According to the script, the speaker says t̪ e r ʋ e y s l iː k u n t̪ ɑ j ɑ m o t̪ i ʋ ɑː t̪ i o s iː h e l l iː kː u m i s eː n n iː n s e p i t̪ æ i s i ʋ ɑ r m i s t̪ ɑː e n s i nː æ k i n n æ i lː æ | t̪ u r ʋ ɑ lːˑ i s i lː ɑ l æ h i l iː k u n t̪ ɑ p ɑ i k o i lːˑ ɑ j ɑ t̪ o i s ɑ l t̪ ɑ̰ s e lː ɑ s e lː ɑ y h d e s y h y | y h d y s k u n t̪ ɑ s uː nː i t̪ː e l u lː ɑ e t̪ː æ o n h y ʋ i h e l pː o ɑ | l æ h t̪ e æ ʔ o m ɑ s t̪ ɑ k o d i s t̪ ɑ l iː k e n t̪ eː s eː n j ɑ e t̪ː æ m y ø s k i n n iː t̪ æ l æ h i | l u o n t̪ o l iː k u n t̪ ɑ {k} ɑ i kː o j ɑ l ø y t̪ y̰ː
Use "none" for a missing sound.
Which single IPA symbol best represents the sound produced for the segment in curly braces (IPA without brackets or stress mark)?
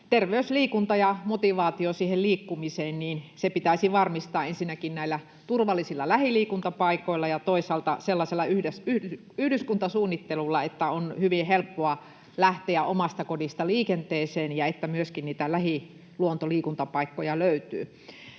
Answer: p